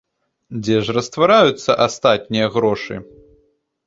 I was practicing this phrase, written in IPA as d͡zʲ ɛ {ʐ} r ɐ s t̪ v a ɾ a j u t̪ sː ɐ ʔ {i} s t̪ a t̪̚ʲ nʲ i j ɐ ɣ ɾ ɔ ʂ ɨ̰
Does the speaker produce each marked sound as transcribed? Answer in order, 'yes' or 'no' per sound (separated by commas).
yes, no